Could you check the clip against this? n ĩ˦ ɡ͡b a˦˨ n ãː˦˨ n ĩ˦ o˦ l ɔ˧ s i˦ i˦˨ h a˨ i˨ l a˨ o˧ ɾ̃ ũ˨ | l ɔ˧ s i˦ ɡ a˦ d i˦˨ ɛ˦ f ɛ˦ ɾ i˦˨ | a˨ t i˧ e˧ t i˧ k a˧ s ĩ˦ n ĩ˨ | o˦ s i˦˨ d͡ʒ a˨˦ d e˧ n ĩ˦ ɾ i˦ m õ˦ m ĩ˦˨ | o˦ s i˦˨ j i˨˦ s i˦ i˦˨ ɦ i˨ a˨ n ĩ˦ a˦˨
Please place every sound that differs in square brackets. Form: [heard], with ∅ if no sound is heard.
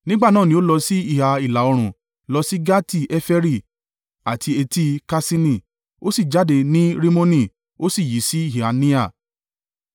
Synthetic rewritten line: n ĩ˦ ɡ͡b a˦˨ n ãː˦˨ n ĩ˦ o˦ l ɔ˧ s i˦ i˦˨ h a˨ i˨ l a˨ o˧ ɾ̃ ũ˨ | l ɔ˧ s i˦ ɡ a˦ [t] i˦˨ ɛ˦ f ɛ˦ ɾ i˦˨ | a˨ t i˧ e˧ t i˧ k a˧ s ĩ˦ n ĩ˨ | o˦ s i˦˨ d͡ʒ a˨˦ d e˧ n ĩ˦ ɾ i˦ m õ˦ [n] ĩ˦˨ | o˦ s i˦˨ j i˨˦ s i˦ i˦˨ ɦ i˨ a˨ n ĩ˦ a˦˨